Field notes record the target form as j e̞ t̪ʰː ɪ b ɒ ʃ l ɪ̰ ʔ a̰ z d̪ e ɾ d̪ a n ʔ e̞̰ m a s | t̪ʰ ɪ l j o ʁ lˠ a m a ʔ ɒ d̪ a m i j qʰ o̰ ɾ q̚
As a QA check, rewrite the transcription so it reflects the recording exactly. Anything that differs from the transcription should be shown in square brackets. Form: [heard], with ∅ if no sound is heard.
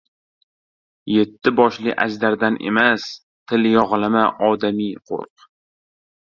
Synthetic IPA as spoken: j e̞ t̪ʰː ɪ b ɒ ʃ l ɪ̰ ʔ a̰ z d̪ [a] ɾ d̪ a n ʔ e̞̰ m a s | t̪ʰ ɪ l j [ɒ] ʁ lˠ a m a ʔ ɒ d̪ a m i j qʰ o̰ ɾ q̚